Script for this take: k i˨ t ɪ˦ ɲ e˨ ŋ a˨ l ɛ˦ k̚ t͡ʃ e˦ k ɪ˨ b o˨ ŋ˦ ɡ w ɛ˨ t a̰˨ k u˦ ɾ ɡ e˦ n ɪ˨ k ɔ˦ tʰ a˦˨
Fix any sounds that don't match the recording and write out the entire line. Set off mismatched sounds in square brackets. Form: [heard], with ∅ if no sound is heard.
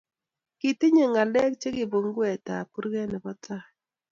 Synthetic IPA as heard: k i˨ t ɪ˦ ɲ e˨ ŋ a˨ l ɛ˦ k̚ t͡ʃ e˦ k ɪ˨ b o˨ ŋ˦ ɡ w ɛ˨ t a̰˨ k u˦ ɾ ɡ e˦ n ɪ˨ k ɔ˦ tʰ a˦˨